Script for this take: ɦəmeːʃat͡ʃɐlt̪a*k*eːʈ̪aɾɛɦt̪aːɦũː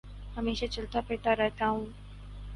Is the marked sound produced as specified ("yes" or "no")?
no